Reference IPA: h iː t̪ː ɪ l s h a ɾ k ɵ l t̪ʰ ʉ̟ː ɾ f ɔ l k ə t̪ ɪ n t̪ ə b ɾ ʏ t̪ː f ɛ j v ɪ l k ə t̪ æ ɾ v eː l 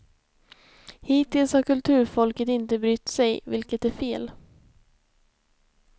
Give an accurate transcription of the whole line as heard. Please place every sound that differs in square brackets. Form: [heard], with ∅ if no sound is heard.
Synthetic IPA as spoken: h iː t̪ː ɪ l s h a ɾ k ɵ l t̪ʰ ʉ̟ː ɾ f ɔ l k ə t̪ ɪ n t̪ ə b ɾ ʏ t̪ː [s] ɛ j v ɪ l k ə t̪ æ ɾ [f] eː l